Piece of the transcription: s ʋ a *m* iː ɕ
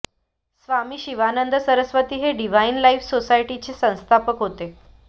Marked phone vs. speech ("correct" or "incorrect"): correct